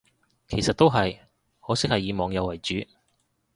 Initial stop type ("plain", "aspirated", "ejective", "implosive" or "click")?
aspirated